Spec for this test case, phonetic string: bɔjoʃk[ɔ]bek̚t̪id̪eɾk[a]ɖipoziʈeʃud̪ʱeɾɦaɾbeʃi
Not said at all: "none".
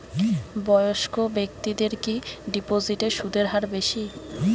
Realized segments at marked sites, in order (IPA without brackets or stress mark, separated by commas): o, i